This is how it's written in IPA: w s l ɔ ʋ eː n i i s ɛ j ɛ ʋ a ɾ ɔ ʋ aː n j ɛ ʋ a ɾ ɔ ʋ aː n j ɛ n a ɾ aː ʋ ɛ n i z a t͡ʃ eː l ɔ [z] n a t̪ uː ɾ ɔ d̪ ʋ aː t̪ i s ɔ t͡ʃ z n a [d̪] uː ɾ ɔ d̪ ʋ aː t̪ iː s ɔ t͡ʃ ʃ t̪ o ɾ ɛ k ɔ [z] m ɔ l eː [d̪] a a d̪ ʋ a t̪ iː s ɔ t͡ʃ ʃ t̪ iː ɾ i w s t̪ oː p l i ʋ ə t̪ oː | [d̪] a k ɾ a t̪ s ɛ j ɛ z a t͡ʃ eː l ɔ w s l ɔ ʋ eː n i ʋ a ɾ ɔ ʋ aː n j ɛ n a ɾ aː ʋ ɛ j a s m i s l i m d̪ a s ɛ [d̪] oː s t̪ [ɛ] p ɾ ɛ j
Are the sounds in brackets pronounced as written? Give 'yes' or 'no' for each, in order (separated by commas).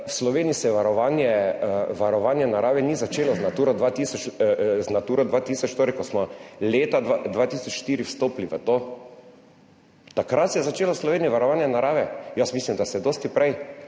yes, no, no, no, no, yes, no